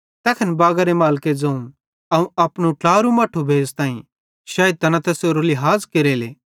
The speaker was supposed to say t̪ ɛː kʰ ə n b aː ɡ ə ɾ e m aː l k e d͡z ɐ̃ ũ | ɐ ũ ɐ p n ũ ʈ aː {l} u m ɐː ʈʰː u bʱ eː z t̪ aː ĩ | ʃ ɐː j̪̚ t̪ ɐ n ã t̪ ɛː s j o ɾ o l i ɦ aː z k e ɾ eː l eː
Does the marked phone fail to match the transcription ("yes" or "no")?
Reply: yes